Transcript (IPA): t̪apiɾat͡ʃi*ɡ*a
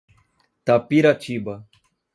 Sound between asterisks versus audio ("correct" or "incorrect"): incorrect